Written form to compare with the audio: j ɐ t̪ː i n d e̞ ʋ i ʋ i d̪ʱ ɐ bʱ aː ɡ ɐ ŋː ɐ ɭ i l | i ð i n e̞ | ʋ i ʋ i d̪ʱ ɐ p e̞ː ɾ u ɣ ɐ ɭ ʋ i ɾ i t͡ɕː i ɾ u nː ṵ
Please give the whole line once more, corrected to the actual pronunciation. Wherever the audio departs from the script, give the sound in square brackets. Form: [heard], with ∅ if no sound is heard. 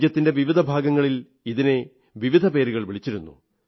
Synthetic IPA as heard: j ɐ t̪ː i n d e̞ ʋ i ʋ i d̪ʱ ɐ bʱ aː ɡ ɐ ŋː ɐ ɭ i l | i ð i n e̞ | ʋ i ʋ i d̪ʱ ɐ p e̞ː ɾ u ɣ ɐ ɭ ʋ i [ɭ] i t͡ɕː i ɾ u nː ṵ